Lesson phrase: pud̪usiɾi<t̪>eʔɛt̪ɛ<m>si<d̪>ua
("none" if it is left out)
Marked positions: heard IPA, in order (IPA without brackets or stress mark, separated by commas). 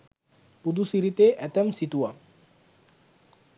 t̪, m, t̪